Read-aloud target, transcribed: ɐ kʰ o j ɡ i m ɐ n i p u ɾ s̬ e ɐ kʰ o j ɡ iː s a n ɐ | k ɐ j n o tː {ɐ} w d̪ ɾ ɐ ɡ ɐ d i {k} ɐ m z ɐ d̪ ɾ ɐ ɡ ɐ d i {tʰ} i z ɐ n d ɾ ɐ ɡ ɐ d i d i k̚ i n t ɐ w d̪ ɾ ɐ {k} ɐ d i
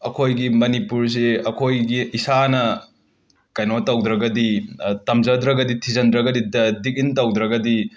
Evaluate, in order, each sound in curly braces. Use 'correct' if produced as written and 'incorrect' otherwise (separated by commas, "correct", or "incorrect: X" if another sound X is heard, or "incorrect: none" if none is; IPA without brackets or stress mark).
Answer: correct, incorrect: t, correct, incorrect: ɡ